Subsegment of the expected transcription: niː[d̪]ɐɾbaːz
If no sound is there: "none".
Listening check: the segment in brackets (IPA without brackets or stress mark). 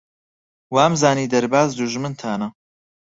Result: d̪